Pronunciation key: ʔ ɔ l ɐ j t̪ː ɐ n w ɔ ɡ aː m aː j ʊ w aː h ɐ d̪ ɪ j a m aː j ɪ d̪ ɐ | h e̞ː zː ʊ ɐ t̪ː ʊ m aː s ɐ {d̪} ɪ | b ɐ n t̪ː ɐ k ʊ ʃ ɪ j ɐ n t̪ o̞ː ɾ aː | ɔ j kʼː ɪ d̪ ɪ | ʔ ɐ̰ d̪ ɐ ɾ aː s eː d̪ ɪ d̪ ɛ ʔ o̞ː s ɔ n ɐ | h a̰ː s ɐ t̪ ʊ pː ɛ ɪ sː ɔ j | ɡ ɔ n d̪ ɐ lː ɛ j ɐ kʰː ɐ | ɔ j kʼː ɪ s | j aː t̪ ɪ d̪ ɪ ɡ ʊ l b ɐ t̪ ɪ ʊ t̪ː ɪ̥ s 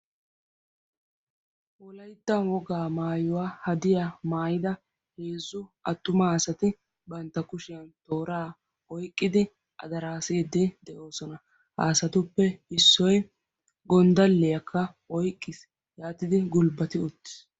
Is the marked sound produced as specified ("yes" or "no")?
no